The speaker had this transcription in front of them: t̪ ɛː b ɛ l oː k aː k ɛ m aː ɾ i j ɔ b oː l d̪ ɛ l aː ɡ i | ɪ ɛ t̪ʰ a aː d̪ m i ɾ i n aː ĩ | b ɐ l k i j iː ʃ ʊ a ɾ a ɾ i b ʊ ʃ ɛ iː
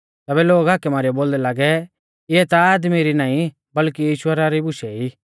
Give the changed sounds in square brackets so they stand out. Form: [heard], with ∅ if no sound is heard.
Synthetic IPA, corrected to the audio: t̪ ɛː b ɛ l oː [ɡ] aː k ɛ m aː ɾ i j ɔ b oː l d̪ ɛ l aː ɡ [ɛ] | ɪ ɛ [t̪] a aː d̪ m i ɾ i n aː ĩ | b ɐ l k i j iː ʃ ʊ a ɾ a ɾ i b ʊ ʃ ɛ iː

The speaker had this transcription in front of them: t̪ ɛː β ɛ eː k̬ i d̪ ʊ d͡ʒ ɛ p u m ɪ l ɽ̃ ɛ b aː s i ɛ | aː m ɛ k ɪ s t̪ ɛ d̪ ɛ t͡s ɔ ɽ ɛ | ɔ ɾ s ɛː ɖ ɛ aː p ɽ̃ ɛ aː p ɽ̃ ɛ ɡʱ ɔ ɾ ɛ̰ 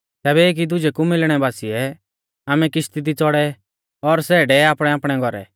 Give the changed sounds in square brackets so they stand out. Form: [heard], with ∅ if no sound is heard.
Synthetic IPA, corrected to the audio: t̪ ɛː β ɛ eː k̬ i d̪ ʊ d͡ʒ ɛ [k] u m ɪ l ɽ̃ ɛ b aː s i ɛ | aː m ɛ k ɪ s t̪ [i] d̪ [i] t͡s ɔ ɽ ɛ | ɔ ɾ s ɛː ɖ ɛ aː p ɽ̃ ɛ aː p ɽ̃ ɛ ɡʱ ɔ ɾ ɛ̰

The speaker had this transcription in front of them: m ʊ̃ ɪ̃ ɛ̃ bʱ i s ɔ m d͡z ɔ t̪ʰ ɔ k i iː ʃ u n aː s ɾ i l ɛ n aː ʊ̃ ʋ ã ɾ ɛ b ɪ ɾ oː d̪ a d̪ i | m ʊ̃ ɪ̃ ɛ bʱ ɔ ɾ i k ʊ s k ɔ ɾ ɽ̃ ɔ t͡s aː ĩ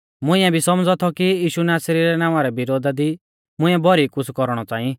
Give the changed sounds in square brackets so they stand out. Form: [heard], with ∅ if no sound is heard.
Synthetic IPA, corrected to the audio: m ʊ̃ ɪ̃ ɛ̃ bʱ i s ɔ m d͡z ɔ t̪ʰ ɔ k i iː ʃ u n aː s ɾ i [ɾ] ɛ n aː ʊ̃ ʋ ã ɾ ɛ b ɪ ɾ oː d̪ a d̪ i | m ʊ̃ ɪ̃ ɛ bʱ ɔ ɾ i k ʊ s k ɔ ɾ ɽ̃ ɔ t͡s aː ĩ

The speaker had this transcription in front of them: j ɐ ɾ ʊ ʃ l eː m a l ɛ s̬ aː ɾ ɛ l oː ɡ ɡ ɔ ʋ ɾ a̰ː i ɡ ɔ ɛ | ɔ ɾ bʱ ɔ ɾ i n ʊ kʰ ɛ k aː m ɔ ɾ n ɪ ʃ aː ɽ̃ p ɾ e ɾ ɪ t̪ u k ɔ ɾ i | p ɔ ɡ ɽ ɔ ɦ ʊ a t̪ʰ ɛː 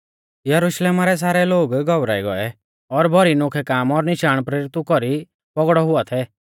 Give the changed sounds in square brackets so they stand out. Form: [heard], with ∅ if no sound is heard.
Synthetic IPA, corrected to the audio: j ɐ ɾ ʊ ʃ l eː m a [ɾ] ɛ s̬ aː ɾ ɛ l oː ɡ ɡ ɔ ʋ ɾ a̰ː i ɡ ɔ ɛ | ɔ ɾ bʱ ɔ ɾ i n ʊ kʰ ɛ k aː m ɔ ɾ n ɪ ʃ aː ɽ̃ p ɾ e ɾ ɪ t̪ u k ɔ ɾ i | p ɔ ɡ ɽ ɔ ɦ ʊ a t̪ʰ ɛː

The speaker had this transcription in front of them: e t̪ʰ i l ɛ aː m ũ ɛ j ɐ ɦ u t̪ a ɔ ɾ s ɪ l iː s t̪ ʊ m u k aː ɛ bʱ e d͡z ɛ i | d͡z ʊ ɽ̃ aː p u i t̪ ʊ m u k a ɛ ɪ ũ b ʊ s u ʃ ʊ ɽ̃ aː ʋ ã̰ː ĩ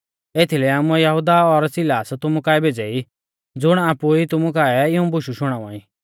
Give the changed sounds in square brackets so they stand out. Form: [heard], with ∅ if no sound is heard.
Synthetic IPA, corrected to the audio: e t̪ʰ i l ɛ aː m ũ ɛ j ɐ ɦ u [d̪] a ɔ ɾ s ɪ l [aː] s t̪ ʊ m u k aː ɛ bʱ e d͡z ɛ i | d͡z ʊ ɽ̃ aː p u i t̪ ʊ m u k a ɛ ɪ ũ b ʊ [ʃ] u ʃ ʊ ɽ̃ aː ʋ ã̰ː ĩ

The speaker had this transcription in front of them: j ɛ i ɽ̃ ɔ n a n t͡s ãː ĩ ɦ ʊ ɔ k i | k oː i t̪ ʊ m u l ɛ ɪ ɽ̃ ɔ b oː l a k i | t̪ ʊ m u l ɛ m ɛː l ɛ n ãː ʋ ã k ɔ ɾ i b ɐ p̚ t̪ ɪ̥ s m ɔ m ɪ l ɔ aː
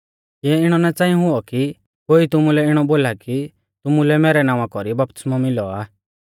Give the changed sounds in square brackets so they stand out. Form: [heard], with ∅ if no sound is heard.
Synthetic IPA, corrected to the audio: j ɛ [ɪ] ɽ̃ ɔ n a [∅] t͡s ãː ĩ ɦ ʊ ɔ k i | k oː i t̪ ʊ m u l ɛ ɪ ɽ̃ ɔ b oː l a k i | t̪ ʊ m u l ɛ m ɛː [ɾ] ɛ n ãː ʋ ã k ɔ ɾ i b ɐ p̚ t̪ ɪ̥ s m ɔ m ɪ l ɔ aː

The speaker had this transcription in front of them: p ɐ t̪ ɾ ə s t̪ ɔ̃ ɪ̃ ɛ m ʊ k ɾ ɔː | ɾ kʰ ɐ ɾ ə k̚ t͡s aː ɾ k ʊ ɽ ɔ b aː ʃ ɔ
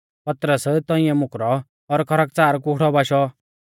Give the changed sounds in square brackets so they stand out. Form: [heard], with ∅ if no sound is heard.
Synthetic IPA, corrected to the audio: p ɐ t̪ ɾ ə s t̪ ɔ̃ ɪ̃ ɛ m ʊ k ɾ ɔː | ɾ kʰ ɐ ɾ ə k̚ t͡s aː ɾ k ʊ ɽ ɔ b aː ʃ ɔ

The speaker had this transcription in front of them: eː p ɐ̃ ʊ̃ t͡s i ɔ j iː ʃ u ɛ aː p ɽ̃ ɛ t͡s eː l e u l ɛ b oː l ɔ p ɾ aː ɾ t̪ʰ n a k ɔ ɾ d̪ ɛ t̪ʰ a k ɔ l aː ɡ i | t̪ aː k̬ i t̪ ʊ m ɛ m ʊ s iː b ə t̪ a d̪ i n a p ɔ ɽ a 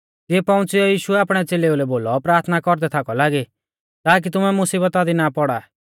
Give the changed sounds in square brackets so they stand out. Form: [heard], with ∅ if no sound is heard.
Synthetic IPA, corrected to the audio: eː p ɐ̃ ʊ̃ t͡s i ɔ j iː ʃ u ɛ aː p ɽ̃ ɛ t͡s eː l e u l ɛ b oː l ɔ p ɾ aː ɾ t̪ʰ n a k ɔ ɾ d̪ ɛ t̪ʰ a k ɔ l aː ɡ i | t̪ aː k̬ i t̪ ʊ m ɛ m ʊ s iː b ə t̪ a d̪ i n a p ɔ ɽ a

